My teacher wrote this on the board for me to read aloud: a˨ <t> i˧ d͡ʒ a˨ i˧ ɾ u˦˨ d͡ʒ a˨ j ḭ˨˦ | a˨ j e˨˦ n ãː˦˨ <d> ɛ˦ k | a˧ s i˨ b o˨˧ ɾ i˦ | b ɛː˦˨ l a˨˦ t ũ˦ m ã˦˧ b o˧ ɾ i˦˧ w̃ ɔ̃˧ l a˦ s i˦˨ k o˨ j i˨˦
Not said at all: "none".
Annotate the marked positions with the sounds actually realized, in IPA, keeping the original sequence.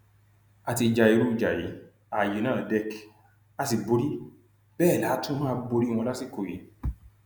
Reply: t, d

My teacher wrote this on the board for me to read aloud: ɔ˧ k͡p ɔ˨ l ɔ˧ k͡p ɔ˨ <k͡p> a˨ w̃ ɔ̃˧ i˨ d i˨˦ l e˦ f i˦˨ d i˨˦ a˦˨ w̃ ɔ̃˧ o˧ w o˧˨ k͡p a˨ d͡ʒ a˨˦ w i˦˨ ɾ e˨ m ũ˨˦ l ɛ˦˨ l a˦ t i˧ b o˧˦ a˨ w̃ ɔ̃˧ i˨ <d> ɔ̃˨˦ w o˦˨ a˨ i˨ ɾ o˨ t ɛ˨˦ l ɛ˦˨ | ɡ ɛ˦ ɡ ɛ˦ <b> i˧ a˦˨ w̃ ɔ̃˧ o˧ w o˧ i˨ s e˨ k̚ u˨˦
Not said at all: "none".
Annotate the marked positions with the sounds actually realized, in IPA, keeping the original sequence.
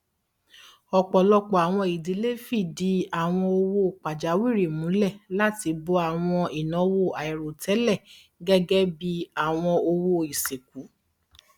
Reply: none, n, b

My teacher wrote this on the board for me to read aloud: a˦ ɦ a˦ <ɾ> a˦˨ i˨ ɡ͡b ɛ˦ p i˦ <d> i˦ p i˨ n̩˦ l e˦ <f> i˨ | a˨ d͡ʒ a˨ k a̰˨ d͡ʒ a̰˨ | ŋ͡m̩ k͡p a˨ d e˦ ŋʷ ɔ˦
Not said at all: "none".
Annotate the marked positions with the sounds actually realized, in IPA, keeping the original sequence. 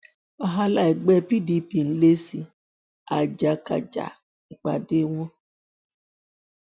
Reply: l, d, s

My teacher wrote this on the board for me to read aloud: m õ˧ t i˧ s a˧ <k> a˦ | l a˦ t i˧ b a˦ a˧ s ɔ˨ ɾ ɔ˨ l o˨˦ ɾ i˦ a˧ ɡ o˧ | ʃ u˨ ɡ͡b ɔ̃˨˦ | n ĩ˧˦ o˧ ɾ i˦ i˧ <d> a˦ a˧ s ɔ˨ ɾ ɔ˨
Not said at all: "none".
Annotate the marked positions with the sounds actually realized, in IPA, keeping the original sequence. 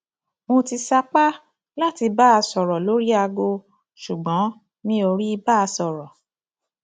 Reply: k͡p, b

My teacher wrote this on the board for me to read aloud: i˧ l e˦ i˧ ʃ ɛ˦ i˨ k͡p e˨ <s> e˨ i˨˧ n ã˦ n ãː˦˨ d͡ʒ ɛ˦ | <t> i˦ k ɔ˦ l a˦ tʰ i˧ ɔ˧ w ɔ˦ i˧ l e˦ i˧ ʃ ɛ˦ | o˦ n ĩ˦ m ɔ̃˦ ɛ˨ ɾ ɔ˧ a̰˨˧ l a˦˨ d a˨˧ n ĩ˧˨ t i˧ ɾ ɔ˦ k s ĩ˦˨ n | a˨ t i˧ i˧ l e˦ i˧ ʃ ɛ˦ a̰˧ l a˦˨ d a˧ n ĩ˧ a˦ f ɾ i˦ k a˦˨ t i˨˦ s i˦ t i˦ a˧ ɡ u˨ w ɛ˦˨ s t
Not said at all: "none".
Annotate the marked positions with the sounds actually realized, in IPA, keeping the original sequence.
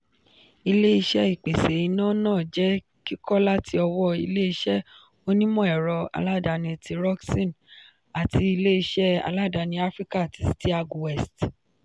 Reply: s, k

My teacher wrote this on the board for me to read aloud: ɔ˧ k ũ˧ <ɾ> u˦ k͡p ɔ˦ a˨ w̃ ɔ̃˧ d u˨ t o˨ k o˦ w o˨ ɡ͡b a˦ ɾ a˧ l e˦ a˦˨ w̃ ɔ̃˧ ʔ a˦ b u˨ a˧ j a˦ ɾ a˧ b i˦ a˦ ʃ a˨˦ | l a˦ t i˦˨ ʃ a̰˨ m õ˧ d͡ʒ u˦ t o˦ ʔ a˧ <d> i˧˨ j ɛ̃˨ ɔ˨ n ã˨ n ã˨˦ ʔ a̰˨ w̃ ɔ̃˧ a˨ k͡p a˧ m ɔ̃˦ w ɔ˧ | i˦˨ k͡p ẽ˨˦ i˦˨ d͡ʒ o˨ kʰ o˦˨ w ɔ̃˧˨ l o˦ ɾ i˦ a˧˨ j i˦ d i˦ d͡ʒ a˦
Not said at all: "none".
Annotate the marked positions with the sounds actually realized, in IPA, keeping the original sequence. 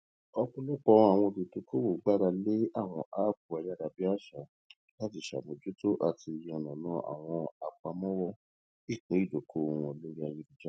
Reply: l, t

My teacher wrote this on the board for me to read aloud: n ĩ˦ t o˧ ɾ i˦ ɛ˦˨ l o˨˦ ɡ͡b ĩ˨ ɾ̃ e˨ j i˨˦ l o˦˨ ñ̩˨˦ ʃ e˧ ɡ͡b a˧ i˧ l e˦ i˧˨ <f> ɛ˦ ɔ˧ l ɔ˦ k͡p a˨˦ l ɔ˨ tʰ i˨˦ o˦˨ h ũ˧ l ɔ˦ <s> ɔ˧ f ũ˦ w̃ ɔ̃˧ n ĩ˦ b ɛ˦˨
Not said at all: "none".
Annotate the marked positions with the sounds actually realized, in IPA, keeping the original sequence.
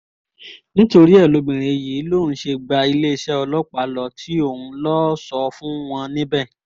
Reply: ʃ, s

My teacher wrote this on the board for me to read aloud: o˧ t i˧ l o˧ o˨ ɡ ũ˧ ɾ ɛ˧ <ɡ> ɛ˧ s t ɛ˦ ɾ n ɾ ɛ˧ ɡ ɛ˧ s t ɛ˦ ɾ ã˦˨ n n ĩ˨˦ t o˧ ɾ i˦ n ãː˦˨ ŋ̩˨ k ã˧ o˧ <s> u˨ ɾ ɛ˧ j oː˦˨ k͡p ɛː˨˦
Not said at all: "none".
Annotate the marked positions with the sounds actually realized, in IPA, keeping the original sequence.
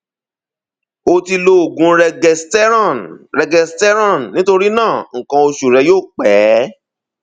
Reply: ɡ, ʃ

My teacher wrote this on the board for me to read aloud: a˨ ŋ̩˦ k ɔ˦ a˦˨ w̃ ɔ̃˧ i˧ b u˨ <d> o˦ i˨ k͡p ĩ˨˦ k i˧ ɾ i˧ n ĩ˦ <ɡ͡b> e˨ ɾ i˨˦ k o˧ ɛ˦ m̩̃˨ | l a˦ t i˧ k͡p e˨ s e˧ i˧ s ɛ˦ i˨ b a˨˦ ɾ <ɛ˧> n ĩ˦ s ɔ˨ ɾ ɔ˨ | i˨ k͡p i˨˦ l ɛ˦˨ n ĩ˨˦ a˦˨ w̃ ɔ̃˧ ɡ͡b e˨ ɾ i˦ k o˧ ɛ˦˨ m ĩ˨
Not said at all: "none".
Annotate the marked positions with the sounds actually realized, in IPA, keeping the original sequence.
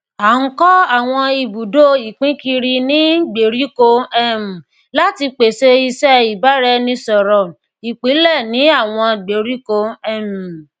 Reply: d, ɡ͡b, ɛ˧

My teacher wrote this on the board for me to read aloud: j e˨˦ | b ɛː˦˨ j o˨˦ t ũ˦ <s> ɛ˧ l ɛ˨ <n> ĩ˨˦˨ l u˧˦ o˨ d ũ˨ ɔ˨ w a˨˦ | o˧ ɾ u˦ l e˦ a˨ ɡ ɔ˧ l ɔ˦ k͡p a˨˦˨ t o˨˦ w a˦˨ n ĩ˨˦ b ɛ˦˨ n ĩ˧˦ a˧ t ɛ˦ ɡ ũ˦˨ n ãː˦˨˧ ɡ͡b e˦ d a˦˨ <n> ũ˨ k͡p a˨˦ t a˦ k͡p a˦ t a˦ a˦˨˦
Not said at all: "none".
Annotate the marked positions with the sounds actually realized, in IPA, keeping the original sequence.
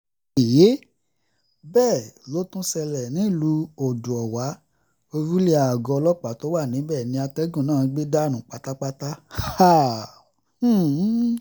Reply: s, n, n

